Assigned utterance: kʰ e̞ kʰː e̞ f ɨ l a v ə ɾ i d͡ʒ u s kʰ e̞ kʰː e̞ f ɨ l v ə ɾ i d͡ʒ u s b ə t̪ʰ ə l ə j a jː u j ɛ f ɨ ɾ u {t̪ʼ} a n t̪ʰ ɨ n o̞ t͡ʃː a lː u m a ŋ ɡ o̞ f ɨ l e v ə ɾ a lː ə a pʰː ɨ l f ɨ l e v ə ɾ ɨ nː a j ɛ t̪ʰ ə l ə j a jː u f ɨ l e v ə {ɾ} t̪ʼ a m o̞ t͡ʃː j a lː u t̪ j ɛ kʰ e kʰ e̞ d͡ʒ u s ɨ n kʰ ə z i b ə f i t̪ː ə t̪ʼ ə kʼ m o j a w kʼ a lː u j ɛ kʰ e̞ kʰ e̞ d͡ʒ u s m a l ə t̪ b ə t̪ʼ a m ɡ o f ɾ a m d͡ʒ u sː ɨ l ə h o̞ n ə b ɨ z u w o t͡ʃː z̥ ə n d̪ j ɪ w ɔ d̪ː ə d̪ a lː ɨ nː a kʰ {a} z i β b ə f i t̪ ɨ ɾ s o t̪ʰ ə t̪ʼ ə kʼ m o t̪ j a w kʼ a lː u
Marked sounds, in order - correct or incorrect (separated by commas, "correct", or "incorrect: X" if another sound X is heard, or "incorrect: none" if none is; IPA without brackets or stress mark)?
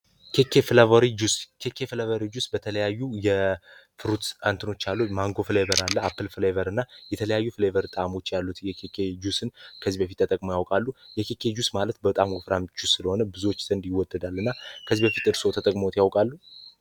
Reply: incorrect: t̪, correct, incorrect: ə